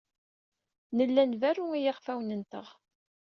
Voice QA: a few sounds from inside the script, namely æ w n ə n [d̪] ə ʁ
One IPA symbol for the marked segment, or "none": t̪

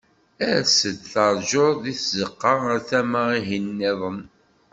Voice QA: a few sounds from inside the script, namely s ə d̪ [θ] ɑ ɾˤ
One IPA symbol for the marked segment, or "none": θ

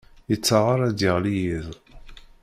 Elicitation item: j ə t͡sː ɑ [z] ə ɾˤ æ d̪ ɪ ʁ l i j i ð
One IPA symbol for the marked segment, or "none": ʁ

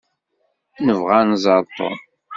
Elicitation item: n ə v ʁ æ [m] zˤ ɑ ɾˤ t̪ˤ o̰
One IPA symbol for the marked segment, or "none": n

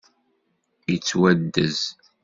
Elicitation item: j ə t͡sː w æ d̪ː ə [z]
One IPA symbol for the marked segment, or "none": z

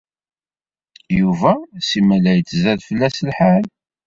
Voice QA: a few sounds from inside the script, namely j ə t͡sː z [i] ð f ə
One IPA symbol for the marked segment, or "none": æ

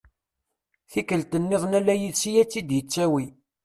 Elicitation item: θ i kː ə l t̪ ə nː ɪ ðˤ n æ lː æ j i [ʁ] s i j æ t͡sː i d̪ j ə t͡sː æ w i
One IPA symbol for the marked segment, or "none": ð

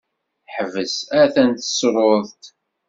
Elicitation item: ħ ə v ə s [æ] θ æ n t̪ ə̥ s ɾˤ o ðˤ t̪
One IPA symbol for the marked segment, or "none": æ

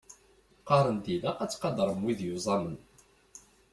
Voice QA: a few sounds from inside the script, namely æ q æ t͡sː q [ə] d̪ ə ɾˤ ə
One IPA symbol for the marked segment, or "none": ɑ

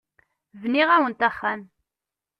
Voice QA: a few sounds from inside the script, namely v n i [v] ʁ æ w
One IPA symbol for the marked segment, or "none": none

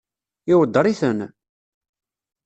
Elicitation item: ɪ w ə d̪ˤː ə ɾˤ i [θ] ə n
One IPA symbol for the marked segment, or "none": θ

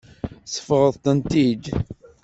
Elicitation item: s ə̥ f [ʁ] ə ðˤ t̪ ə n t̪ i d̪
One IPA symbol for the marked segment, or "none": ʁ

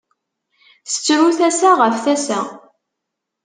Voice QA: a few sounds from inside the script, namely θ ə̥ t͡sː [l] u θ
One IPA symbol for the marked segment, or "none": ɾ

